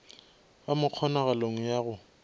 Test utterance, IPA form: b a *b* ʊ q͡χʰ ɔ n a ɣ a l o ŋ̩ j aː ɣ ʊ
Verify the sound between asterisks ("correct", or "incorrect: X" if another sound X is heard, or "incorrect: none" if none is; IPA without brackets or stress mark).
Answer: incorrect: m